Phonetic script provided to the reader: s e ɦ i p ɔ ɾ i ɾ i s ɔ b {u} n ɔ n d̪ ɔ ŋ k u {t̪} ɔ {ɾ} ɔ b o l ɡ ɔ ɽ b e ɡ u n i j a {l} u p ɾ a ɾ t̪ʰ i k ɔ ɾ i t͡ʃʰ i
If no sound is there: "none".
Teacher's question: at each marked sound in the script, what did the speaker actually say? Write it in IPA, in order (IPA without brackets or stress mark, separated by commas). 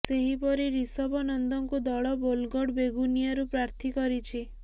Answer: ɔ, d̪, ɭ, ɾ